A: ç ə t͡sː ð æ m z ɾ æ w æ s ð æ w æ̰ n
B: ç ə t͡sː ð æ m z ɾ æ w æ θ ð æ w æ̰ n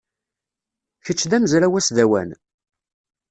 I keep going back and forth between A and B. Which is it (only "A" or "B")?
A